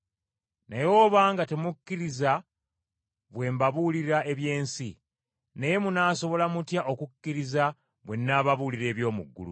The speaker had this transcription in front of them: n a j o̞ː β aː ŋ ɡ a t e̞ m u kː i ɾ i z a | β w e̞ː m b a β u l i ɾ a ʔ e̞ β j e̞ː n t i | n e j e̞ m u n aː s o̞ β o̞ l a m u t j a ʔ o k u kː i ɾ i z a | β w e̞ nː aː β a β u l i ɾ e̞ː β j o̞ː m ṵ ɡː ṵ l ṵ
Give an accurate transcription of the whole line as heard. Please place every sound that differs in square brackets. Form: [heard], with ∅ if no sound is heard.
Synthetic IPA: n a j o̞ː β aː ŋ ɡ a t e̞ m u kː i ɾ i z a | β w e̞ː m b a β u l i ɾ a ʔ e̞ β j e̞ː n [s] i | n e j e̞ m u n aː s o̞ β o̞ l a m u t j a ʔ o k u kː i ɾ i z a | β w e̞ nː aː β a β u l i ɾ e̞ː β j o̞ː m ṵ ɡː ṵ l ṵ